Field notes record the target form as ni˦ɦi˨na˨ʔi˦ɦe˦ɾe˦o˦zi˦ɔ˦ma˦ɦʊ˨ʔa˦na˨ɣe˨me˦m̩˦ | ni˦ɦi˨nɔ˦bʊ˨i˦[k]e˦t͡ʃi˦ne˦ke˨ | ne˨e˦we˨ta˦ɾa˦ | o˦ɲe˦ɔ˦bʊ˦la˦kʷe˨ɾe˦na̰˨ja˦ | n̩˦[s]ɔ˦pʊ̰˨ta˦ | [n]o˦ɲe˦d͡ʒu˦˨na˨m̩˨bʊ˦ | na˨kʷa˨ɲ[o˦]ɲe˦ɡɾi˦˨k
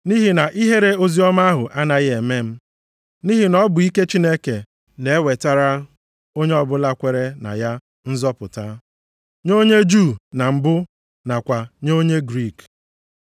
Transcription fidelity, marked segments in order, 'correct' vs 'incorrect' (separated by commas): correct, incorrect, incorrect, correct